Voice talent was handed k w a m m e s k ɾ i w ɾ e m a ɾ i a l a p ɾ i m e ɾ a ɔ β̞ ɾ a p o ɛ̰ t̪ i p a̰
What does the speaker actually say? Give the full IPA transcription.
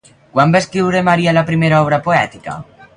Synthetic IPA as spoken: k w a m b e s k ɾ i w ɾ e m a ɾ i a l a p ɾ i m e ɾ a ɔ β̞ ɾ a p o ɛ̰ t̪ i k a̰